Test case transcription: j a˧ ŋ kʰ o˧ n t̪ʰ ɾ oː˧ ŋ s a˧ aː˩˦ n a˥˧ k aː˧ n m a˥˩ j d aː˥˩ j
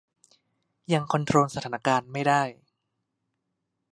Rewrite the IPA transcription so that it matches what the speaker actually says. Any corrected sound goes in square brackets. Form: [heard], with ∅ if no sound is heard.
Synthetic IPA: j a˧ ŋ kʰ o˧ n t̪ʰ ɾ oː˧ [n] s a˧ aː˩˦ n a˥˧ k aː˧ n m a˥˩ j d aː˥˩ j